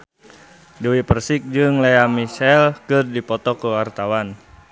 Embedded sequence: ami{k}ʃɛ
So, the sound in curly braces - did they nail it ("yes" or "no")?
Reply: no